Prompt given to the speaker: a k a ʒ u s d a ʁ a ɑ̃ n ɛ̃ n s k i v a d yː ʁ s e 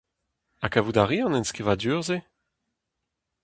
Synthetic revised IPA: a k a v u d a ʁ i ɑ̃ n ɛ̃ n s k i v a d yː ʁ z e